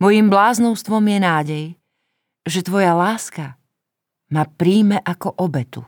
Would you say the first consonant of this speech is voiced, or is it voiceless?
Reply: voiced